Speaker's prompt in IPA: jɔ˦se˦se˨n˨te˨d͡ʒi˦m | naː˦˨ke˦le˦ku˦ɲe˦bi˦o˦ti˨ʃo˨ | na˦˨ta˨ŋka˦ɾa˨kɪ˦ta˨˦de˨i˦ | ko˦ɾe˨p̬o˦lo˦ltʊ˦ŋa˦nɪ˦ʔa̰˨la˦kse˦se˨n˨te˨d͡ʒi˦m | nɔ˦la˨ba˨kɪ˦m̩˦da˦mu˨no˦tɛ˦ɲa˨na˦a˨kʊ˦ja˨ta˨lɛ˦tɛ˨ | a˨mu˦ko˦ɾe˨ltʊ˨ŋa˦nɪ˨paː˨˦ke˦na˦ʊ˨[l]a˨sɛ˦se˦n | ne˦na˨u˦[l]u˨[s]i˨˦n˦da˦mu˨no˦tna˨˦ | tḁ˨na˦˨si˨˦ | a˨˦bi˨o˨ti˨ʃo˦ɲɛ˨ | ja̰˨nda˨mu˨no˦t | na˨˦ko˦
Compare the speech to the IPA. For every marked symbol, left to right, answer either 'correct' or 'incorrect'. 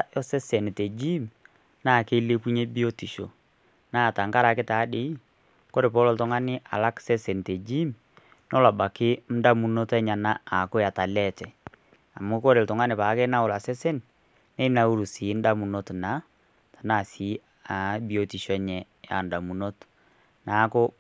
correct, incorrect, correct

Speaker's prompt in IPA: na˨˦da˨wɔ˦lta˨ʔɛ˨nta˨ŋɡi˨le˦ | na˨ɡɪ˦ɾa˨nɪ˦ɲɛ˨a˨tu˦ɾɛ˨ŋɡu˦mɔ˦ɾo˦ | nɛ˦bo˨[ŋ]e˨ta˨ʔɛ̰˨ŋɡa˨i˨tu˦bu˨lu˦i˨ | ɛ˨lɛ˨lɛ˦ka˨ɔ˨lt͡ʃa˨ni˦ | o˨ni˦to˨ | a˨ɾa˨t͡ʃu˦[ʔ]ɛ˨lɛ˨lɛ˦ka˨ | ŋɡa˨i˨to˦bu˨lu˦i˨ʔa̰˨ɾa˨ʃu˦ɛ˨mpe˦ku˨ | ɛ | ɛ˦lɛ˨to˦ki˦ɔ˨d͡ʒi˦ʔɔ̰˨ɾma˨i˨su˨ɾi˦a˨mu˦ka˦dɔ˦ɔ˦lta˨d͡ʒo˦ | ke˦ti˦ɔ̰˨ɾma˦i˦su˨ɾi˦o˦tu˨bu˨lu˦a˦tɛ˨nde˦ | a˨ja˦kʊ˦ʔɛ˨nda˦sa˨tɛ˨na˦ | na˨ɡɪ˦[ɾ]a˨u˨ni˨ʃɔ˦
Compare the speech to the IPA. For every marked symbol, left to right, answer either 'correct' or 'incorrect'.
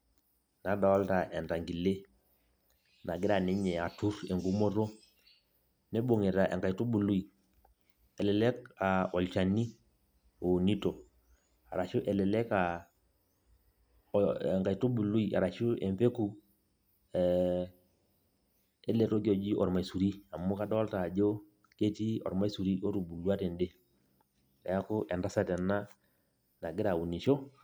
correct, correct, correct

